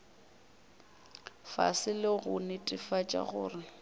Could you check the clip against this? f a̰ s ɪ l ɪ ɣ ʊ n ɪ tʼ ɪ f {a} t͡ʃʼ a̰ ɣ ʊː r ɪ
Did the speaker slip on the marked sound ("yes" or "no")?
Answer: no